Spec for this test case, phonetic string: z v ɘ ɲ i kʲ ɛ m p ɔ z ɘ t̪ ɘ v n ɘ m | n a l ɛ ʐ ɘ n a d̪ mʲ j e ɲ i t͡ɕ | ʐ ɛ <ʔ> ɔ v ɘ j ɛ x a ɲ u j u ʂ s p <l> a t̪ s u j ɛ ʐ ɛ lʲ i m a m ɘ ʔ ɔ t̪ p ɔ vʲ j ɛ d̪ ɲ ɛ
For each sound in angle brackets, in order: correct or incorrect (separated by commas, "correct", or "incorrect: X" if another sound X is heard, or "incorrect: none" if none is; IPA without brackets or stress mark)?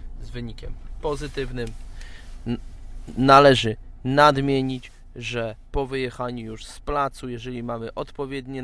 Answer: incorrect: p, correct